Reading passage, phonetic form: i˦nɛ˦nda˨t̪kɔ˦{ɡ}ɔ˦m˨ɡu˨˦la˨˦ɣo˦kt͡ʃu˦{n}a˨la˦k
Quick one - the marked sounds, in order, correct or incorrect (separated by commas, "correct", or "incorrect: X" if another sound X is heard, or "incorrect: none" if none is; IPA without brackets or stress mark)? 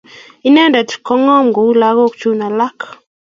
incorrect: ŋ, correct